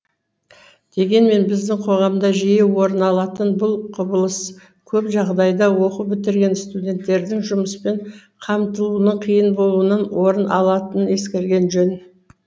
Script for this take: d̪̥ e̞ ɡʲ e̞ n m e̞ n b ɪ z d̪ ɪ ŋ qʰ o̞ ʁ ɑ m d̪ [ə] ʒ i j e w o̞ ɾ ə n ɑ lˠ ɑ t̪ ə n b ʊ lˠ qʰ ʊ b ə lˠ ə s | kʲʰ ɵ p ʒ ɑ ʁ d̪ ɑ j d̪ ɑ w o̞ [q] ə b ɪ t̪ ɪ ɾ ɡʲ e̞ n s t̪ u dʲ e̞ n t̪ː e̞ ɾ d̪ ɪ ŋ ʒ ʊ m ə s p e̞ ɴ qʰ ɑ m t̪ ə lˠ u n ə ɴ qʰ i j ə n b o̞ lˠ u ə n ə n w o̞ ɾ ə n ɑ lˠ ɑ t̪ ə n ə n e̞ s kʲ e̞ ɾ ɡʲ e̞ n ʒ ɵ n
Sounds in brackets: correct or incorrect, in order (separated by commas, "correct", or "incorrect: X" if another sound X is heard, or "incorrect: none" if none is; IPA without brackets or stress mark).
incorrect: ɑ, correct